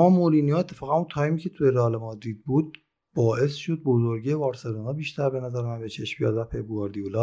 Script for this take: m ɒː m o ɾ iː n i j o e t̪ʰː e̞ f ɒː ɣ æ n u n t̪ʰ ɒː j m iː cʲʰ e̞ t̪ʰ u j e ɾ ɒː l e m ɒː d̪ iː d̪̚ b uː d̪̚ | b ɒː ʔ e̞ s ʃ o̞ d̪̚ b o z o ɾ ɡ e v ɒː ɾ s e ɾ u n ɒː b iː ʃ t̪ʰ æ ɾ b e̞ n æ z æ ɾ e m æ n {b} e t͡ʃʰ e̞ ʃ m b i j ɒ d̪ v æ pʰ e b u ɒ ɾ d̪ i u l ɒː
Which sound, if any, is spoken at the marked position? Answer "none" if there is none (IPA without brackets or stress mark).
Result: b